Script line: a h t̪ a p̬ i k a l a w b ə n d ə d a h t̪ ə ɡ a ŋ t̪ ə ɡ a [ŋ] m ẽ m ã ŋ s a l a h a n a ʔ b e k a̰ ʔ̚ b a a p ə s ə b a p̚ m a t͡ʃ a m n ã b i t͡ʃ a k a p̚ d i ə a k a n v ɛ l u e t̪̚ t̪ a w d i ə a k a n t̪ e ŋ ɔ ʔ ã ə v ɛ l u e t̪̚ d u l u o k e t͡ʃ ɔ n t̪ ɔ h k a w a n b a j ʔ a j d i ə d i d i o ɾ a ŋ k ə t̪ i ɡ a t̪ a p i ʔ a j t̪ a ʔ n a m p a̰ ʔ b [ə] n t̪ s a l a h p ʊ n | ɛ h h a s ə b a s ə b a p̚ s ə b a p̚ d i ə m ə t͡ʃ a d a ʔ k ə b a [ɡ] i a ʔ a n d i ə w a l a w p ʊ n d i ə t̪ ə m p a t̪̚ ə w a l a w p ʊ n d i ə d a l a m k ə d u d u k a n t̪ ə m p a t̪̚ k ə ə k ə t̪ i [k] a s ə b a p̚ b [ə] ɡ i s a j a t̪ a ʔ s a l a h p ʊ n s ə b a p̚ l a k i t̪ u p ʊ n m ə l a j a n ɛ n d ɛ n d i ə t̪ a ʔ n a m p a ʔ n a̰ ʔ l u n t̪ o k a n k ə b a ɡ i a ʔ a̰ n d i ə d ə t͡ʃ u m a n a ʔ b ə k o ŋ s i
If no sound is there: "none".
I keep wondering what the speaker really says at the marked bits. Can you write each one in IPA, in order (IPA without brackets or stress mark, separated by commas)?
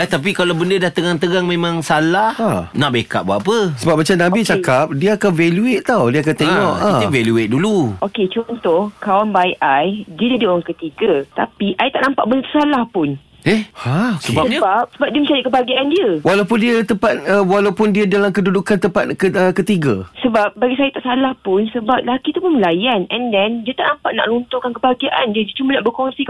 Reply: ŋ, ə, ɡ, ɡ, a